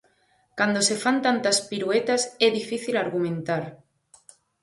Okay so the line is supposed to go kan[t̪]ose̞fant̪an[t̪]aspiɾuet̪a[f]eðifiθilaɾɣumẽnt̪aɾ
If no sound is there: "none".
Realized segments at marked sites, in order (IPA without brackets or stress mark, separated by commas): d̪, t̪, s